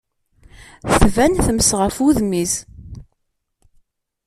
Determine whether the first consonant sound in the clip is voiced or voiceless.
voiceless